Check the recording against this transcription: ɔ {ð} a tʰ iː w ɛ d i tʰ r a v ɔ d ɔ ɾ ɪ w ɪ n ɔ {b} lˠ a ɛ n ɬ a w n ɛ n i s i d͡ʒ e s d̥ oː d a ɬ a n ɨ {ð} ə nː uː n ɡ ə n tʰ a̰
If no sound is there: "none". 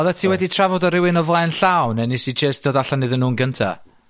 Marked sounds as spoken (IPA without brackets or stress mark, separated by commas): ð, v, ð